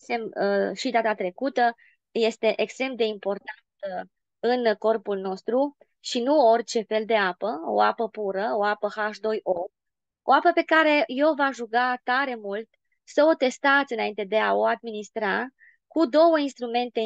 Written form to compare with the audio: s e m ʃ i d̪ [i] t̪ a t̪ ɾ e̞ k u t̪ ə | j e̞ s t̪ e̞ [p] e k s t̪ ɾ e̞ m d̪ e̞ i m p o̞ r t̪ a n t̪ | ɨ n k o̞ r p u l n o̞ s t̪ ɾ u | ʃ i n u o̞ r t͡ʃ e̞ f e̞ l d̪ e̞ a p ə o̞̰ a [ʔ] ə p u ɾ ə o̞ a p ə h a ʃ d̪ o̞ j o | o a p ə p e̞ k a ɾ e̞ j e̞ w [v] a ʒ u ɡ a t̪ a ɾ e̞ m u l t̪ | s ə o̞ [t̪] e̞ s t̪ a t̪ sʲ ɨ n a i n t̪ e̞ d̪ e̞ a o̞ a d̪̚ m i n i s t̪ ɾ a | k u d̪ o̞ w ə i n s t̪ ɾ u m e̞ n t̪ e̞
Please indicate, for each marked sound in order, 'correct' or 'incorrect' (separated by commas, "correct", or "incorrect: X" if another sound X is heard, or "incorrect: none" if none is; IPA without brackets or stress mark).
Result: incorrect: a, incorrect: ʔ, incorrect: p, correct, correct